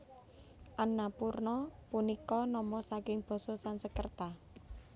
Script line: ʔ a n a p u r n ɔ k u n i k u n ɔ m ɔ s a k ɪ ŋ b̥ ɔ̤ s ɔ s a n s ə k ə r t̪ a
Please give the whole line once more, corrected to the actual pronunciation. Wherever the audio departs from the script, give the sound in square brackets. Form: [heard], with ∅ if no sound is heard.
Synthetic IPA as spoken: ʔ a n a p u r n ɔ [p] u n i k [ɔ] n ɔ m ɔ s a k ɪ ŋ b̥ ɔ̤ s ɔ s a n s ə k ə r t̪ a